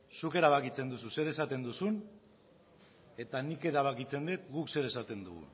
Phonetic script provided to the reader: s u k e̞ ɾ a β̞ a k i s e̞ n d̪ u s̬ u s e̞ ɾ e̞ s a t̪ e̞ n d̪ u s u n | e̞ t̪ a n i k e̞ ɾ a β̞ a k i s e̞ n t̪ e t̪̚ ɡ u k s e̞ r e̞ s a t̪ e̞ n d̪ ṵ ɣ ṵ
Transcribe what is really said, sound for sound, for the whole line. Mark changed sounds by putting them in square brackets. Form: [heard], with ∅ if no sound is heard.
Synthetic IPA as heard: s u k e̞ ɾ a β̞ a k i [t͡s] e̞ n d̪ u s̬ u s e̞ ɾ e̞ s a t̪ e̞ n d̪ u s u n | e̞ t̪ a n i k e̞ ɾ a β̞ a k i [t͡s] e̞ n [d̪] e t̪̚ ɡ u k s e̞ [ɾ] e̞ s a t̪ e̞ n d̪ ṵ ɣ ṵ

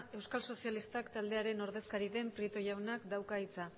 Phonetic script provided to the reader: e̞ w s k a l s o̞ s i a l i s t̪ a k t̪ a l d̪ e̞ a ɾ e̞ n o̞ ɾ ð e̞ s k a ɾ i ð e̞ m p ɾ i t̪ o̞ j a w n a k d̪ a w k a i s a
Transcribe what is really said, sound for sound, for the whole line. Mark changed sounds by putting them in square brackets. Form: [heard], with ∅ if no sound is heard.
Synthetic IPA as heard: e̞ w s k a l s o̞ s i a l i s t̪ a k t̪ a l d̪ e̞ a ɾ e̞ n o̞ ɾ ð e̞ s k a ɾ i ð e̞ m p ɾ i t̪ o̞ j a w n a k d̪ a w k a i [t͡s] a

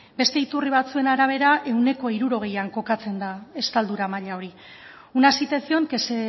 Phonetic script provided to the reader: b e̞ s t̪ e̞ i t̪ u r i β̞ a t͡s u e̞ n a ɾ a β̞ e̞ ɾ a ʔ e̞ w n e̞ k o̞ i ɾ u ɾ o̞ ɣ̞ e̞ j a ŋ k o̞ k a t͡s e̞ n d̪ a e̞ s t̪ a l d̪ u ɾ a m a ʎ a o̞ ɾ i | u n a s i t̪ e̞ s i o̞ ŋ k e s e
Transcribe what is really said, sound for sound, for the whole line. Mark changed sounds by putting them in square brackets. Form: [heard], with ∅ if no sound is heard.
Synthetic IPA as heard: b e̞ s t̪ e̞ i t̪ u r i β̞ a t͡s u e̞ n a ɾ a β̞ e̞ ɾ a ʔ e̞ w n e̞ k o̞ i ɾ u ɾ o̞ ɣ̞ e̞ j a ŋ k o̞ k a t͡s e̞ n d̪ a e̞ s t̪ a l d̪ u ɾ a m a ʎ a o̞ ɾ i | u n a s i t̪ e̞ s i o̞ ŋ k e s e

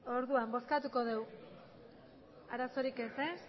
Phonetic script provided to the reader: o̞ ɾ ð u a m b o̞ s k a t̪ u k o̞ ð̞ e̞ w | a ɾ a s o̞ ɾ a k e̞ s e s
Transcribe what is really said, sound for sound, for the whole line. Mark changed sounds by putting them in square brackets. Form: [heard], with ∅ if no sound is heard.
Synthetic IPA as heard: o̞ ɾ ð u a m b o̞ s k a t̪ u k o̞ ð̞ e̞ w | a ɾ a s o̞ ɾ [i] k e̞ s e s

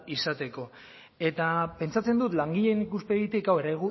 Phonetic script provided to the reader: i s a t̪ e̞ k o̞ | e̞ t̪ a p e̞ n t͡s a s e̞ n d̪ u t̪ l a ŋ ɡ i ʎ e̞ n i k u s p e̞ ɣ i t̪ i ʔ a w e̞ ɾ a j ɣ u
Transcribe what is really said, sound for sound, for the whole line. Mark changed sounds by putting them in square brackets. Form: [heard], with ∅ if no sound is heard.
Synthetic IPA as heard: i s a t̪ e̞ k o̞ | e̞ t̪ a p e̞ n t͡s a [t͡s] e̞ n d̪ u t̪ l a ŋ ɡ i ʎ e̞ n i k u s p e̞ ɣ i t̪ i [k] a w e̞ ɾ a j ɣ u

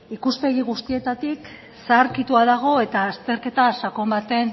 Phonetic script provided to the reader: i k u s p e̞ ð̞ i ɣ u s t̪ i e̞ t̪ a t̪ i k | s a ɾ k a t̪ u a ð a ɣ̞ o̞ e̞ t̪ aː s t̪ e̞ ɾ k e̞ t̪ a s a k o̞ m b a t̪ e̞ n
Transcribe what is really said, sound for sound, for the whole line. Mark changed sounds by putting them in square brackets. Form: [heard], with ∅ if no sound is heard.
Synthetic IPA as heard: i k u s p e̞ [ɣ̞] i ɣ u s t̪ i e̞ t̪ a t̪ i k | s a ɾ k [i] t̪ u a ð a ɣ̞ o̞ e̞ t̪ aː s t̪ e̞ ɾ k e̞ t̪ a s a k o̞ m b a t̪ e̞ n

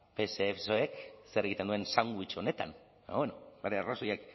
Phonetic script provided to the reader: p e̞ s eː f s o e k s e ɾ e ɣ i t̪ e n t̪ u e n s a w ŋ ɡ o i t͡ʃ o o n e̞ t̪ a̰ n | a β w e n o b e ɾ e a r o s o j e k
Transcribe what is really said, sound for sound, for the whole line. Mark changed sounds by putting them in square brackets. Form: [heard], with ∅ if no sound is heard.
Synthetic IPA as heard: p e̞ s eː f s o e k s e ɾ e ɣ i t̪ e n [d̪] u e n s a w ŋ ɡ [u] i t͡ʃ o o n e̞ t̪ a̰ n | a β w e n o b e ɾ e a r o s o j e k

